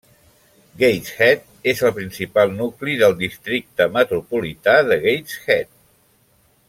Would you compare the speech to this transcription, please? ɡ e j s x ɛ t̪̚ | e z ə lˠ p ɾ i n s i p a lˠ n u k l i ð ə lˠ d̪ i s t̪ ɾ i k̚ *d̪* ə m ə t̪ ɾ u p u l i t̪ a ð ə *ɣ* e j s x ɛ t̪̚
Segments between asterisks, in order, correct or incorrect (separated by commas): incorrect, correct